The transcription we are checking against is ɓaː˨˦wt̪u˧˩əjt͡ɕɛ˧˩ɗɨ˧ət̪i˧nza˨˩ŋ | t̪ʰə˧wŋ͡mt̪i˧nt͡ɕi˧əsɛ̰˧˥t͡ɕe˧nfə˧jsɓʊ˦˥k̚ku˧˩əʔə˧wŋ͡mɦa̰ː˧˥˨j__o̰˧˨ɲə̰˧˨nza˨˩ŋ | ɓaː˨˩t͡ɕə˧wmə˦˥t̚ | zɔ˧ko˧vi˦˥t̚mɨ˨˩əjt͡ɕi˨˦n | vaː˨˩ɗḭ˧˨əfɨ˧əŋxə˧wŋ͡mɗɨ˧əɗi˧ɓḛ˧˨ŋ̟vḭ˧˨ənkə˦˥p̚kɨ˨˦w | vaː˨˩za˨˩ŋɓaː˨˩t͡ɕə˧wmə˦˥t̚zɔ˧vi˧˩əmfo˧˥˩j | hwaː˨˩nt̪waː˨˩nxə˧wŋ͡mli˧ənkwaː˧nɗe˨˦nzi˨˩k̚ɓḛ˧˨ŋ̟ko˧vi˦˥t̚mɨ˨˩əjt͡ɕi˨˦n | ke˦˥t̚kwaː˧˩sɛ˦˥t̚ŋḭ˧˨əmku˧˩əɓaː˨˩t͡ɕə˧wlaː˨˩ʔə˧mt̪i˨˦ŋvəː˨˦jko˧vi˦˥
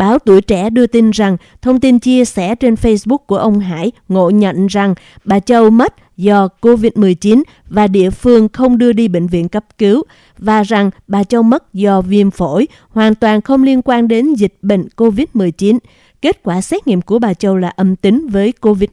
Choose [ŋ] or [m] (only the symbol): ŋ